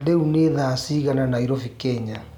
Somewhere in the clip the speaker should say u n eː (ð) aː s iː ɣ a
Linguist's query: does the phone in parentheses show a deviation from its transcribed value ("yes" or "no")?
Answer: no